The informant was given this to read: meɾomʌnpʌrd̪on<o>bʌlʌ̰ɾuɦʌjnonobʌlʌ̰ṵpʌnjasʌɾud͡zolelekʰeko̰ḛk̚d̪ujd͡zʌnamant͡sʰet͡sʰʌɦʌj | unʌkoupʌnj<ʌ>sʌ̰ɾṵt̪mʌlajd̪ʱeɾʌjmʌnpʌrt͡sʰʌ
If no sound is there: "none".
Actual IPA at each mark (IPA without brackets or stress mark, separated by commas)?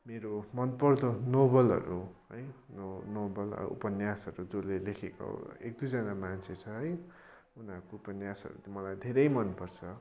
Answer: o, a